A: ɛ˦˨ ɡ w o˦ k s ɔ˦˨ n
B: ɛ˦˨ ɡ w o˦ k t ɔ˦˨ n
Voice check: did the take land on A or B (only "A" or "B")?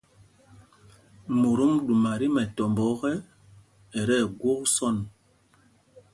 A